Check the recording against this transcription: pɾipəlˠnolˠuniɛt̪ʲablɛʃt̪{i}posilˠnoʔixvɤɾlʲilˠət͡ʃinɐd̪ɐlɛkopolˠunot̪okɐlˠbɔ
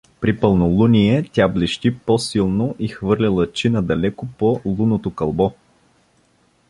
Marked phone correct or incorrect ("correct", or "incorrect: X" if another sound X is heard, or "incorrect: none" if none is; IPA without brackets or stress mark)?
correct